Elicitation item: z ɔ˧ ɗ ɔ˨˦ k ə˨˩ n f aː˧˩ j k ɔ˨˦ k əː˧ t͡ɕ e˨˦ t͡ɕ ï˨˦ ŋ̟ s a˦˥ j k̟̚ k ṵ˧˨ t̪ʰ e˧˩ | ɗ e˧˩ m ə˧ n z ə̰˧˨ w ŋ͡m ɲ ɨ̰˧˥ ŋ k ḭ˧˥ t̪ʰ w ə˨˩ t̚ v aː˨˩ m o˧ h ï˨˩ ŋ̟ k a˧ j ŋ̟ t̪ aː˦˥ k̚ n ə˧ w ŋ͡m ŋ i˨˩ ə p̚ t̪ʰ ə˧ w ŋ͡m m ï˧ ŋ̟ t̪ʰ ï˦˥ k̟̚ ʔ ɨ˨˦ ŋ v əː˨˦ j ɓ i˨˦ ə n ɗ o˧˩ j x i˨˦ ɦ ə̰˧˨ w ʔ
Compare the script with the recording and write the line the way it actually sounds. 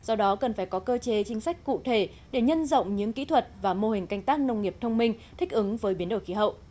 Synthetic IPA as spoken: z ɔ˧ ɗ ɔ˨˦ k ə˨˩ n f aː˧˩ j k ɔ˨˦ k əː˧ t͡ɕ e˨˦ t͡ɕ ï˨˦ ŋ̟ s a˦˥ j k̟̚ k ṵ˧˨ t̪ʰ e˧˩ | ɗ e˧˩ ɲ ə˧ n z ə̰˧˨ w ŋ͡m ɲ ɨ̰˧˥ ŋ k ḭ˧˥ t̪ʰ w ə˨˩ t̚ v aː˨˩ m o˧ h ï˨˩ ŋ̟ k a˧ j ŋ̟ t̪ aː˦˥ k̚ n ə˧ w ŋ͡m ŋ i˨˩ ə p̚ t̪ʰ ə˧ w ŋ͡m m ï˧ ŋ̟ t̪ʰ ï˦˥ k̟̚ ʔ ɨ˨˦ ŋ v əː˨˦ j ɓ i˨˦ ə n ɗ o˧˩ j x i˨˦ ɦ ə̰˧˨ w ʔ